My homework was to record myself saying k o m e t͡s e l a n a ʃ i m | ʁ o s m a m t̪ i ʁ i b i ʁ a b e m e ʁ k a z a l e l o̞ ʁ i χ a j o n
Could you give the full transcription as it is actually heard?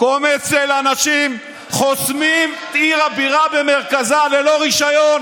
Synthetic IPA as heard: k o m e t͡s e l a n a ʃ i m | χ o s m i m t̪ i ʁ a b i ʁ a b e m e ʁ k a z a l e l o̞ ʁ i ʃ a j o n